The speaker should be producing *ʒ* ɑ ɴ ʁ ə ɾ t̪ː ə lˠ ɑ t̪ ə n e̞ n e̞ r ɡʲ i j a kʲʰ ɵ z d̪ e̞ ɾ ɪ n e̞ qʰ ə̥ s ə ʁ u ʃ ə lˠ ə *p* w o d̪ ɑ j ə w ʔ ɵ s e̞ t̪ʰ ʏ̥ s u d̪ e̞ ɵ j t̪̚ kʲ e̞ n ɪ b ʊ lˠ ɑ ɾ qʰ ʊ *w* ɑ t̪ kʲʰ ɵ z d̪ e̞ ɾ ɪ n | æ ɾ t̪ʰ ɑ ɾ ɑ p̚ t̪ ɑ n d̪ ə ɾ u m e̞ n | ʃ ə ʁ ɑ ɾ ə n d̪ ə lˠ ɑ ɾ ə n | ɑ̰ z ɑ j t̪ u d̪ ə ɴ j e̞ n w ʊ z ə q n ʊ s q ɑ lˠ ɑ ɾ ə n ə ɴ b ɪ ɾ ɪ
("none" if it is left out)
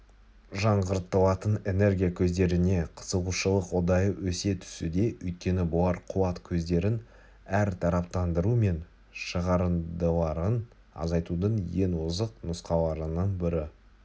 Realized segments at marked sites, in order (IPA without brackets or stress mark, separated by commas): ʒ, q, w